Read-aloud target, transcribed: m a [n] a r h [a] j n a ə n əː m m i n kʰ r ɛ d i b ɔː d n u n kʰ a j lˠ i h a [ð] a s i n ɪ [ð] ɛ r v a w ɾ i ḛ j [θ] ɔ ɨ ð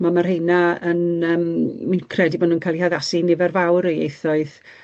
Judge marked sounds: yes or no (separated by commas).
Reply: no, no, yes, no, yes